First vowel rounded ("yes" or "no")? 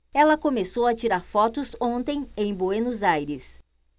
no